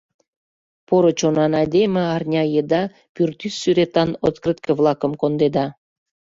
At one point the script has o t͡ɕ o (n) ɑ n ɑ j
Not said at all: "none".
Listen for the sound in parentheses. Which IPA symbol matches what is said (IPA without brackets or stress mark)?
n